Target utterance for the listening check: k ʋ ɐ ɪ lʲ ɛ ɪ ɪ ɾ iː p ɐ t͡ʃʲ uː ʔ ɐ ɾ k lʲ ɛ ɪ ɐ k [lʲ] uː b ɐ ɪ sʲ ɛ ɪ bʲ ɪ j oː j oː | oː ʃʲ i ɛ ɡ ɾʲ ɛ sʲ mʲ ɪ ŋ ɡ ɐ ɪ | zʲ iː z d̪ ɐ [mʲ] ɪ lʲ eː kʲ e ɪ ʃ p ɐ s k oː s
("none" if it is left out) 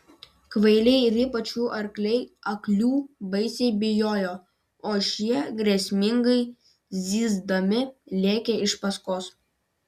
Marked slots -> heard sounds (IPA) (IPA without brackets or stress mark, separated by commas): lʲ, mʲ